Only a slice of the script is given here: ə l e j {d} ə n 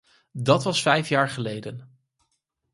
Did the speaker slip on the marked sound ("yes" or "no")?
no